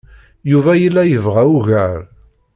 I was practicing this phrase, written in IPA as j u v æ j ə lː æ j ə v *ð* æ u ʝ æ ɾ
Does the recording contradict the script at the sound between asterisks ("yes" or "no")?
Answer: yes